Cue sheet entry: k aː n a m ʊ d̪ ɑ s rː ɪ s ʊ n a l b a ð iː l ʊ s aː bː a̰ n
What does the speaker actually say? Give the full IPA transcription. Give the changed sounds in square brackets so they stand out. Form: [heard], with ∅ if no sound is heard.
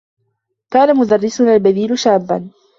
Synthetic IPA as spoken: k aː n a m ʊ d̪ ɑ [∅] rː ɪ s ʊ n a l b a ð iː l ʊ [ʃ] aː bː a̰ n